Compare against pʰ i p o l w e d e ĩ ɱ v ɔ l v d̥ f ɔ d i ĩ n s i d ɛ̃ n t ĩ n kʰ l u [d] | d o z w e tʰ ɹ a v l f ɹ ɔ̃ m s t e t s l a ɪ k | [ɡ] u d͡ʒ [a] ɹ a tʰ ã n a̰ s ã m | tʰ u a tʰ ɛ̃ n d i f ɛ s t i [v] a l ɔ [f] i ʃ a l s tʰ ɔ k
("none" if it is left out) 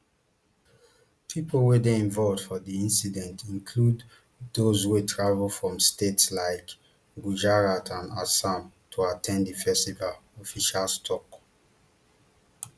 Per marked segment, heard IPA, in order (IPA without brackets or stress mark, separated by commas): d, ɡ, a, v, f